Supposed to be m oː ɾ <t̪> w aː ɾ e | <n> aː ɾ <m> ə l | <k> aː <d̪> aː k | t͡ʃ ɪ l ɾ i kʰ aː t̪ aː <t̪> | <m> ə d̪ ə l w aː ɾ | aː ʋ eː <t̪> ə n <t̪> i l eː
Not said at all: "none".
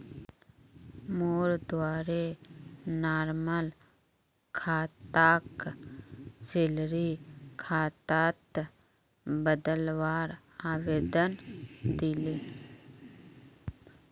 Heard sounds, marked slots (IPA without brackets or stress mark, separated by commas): d̪, n, m, kʰ, t̪, t̪, b, d̪, d̪